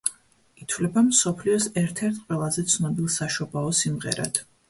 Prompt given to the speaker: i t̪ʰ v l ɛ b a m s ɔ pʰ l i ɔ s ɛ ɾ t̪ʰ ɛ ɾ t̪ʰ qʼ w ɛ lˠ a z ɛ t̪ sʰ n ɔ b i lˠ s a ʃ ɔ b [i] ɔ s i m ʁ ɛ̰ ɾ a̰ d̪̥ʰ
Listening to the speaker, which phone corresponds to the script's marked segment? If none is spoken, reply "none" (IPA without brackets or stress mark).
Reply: a